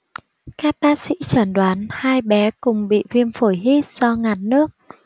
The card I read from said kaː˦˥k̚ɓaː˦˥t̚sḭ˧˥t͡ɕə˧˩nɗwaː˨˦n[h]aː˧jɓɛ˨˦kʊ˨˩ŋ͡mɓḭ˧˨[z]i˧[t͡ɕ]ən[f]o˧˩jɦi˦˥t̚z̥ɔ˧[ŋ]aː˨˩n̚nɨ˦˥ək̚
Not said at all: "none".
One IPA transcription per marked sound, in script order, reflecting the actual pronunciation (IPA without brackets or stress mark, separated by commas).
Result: h, v, none, f, ŋ